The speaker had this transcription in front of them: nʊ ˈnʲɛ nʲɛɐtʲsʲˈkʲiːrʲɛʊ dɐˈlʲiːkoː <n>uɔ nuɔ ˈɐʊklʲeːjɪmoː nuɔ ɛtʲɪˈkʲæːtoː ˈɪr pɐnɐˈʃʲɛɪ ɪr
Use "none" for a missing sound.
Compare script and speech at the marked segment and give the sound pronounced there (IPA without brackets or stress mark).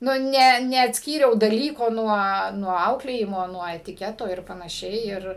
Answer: n